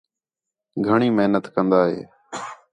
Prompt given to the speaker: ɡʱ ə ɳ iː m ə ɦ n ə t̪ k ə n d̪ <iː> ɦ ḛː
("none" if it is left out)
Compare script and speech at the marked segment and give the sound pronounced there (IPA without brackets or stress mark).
aː